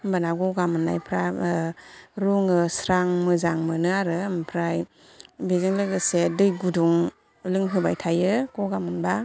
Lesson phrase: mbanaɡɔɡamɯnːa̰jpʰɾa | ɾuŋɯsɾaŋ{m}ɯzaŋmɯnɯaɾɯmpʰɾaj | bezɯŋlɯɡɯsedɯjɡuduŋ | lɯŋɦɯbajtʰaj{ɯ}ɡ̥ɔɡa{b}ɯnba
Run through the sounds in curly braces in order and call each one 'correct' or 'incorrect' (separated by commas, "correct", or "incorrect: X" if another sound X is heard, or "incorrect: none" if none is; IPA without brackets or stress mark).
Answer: correct, correct, incorrect: m